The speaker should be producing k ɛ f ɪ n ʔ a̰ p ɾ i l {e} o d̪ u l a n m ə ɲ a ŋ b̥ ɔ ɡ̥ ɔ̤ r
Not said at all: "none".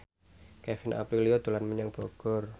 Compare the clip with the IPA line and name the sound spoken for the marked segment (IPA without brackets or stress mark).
i